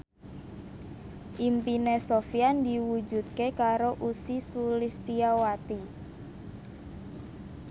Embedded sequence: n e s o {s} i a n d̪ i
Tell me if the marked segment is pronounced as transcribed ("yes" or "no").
no